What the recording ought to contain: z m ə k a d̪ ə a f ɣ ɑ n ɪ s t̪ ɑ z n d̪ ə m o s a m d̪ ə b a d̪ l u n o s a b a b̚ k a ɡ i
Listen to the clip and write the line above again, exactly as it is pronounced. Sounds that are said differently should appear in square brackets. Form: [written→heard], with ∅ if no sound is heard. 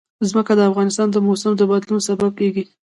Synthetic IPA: z m ə k a d̪ ə a f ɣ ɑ n ɪ s t̪ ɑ [z→∅] n d̪ ə m o s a m d̪ ə b a d̪ l u n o s a b a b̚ k [a→e] ɡ i